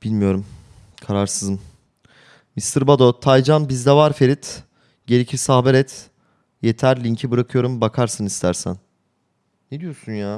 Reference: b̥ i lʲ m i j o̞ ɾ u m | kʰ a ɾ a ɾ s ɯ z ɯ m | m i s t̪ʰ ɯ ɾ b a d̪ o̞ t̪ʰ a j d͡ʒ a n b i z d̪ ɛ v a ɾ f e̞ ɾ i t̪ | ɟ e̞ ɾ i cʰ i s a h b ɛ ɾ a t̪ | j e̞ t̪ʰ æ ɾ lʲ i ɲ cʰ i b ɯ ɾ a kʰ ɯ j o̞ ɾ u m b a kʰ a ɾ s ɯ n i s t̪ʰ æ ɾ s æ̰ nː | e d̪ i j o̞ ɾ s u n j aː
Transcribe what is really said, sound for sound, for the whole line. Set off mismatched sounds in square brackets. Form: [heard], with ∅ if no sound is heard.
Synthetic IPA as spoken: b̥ i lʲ m i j o̞ ɾ u m | kʰ a ɾ a ɾ s ɯ z ɯ m | m i s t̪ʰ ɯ ɾ b a d̪ o̞ t̪ʰ a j d͡ʒ a n b i z d̪ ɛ v a ɾ f e̞ ɾ i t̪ | ɟ e̞ ɾ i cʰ i s a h b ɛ ɾ [ɛ] t̪ | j e̞ t̪ʰ æ ɾ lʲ i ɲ cʰ i b ɯ ɾ a kʰ ɯ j o̞ ɾ u m b a kʰ a ɾ s ɯ n i s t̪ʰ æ ɾ s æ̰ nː | e d̪ i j o̞ ɾ s u n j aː